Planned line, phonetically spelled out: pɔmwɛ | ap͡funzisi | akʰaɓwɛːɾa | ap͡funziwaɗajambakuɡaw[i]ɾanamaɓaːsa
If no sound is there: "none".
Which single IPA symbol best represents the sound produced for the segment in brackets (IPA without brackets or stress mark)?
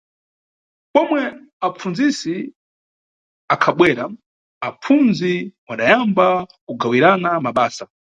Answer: i